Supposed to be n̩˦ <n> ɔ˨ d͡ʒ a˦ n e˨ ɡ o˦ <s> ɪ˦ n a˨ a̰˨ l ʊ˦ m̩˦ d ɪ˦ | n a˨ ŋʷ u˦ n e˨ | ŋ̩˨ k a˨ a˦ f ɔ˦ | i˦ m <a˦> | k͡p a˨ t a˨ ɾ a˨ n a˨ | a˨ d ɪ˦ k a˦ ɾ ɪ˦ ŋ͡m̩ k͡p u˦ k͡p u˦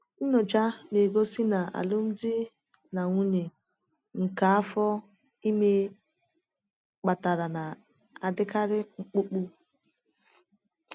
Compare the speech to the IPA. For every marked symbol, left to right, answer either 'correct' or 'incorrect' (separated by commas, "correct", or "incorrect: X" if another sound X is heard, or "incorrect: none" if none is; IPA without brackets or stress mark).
correct, correct, incorrect: e˦